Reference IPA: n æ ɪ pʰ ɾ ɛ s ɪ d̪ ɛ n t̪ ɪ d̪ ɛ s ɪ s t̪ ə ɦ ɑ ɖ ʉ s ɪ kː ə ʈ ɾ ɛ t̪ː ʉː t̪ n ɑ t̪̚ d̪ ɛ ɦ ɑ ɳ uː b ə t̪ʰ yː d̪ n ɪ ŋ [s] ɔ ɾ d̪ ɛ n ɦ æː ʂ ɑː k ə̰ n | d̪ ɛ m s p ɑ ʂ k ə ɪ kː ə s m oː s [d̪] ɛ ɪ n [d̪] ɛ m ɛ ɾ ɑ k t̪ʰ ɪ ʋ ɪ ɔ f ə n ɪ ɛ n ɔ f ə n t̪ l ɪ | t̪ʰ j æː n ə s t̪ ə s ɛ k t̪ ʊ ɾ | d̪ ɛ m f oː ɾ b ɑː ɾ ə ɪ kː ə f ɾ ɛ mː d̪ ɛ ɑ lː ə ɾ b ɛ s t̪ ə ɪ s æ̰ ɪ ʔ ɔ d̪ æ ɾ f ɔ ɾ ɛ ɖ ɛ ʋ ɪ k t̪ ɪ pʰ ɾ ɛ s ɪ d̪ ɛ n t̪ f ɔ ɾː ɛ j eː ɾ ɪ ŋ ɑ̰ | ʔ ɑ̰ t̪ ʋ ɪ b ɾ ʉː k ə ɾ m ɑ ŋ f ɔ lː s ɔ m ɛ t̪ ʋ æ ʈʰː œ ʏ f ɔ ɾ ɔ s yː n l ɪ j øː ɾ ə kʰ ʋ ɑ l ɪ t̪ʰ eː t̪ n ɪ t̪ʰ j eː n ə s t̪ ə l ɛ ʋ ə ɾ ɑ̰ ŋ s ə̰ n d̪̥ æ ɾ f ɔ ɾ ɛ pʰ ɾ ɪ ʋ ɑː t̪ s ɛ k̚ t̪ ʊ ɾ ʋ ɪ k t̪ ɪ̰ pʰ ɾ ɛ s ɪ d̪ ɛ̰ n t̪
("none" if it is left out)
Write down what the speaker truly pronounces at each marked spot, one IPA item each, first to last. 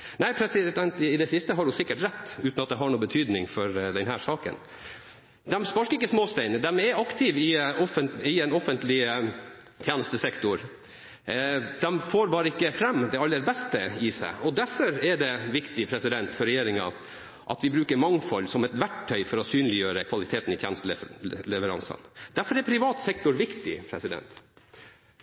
f, t̪, d̪

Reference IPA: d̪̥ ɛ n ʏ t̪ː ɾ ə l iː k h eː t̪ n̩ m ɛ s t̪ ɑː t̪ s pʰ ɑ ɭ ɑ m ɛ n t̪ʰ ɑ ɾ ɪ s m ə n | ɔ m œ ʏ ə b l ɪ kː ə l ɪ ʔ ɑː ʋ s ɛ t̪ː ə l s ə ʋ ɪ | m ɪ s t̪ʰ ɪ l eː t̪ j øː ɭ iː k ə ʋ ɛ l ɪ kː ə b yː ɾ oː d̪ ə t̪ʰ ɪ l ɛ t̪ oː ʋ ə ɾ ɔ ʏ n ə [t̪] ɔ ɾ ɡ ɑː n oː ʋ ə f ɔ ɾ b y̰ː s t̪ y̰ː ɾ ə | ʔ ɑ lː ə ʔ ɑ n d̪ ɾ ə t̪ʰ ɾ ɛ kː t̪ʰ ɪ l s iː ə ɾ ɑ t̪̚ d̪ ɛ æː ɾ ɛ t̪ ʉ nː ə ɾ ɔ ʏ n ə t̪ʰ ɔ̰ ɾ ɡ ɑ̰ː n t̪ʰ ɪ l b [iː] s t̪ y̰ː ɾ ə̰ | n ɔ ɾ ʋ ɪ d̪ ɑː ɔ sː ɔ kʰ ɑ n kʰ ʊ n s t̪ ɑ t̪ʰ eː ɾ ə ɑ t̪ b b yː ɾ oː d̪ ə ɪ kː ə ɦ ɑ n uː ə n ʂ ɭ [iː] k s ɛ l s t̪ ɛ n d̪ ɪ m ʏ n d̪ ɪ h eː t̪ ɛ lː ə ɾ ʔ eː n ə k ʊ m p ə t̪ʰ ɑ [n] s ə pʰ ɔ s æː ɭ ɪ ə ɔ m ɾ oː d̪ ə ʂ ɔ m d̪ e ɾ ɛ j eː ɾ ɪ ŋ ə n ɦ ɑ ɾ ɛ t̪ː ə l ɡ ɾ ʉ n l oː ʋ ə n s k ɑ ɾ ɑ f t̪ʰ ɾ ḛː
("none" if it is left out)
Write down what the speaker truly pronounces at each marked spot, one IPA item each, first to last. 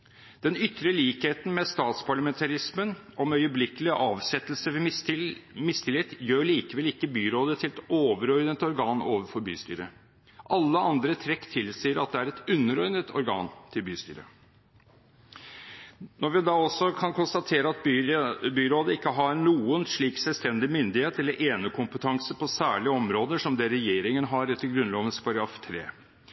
t̪, yː, iː, ŋ

